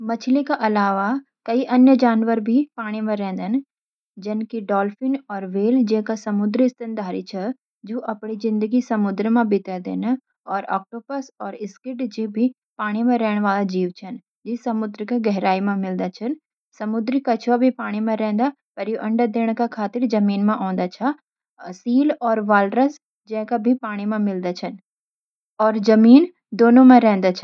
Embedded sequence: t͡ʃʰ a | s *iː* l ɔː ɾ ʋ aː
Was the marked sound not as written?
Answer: no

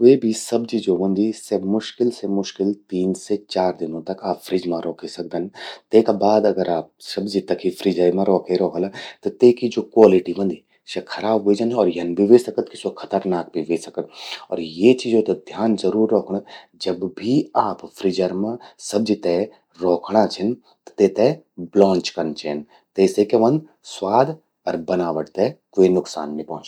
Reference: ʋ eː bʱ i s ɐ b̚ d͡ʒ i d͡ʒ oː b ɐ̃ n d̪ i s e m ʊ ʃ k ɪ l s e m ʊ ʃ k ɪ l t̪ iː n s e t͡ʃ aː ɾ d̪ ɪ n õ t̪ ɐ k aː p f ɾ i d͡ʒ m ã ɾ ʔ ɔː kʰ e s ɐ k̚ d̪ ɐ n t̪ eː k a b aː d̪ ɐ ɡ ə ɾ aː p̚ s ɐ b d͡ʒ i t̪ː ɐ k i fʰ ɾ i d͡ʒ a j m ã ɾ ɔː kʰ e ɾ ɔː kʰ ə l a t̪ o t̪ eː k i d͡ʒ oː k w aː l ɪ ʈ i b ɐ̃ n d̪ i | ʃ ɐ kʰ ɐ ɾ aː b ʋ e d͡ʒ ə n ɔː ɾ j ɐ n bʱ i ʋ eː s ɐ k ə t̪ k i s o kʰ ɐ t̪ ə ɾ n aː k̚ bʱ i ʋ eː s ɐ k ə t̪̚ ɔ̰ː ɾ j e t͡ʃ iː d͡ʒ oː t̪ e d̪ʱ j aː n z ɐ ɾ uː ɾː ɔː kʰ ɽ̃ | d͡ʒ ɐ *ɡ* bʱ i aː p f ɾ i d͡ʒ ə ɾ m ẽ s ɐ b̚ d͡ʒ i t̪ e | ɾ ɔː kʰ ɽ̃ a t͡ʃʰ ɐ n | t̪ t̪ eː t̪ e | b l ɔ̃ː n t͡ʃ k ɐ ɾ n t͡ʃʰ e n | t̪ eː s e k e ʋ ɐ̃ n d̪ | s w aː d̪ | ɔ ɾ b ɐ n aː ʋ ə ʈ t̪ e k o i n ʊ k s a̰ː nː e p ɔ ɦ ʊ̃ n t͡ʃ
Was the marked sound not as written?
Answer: yes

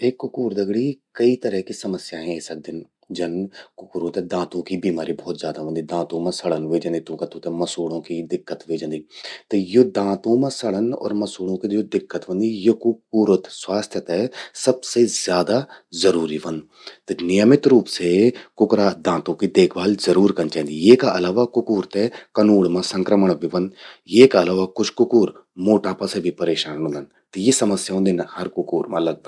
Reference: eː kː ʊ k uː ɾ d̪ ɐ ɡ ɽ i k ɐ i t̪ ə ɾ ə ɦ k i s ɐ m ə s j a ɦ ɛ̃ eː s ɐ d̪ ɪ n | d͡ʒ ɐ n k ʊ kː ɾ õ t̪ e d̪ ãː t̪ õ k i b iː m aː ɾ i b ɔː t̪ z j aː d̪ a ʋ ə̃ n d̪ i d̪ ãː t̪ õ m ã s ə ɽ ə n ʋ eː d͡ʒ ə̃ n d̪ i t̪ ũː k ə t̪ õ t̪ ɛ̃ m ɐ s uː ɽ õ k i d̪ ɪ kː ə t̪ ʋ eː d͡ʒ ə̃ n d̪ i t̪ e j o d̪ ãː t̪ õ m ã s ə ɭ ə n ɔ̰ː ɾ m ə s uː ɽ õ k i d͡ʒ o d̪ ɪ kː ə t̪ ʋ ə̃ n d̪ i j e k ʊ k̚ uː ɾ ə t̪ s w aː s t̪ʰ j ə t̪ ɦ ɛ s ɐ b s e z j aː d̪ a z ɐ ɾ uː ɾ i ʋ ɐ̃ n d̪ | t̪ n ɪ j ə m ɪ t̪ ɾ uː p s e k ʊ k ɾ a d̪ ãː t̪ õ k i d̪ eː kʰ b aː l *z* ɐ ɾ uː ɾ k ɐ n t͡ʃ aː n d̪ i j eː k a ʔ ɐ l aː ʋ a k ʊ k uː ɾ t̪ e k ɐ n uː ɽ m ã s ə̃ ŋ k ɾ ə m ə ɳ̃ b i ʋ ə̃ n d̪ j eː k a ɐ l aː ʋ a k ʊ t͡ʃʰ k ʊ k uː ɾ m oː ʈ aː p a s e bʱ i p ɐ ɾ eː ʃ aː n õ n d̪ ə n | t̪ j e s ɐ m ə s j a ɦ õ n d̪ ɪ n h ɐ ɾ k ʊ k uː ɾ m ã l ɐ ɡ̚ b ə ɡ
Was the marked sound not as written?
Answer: no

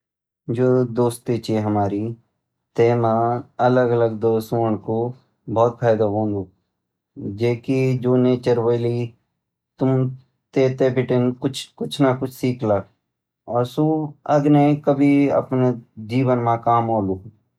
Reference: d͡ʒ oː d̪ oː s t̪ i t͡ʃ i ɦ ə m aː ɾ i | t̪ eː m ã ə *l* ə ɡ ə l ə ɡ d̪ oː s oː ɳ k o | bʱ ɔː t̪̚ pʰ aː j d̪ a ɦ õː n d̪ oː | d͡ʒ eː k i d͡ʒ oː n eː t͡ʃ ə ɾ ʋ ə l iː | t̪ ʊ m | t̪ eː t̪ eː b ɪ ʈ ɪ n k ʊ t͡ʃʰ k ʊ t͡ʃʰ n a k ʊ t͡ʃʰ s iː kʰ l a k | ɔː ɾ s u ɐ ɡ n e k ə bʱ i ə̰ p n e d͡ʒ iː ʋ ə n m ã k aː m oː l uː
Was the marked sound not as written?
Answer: no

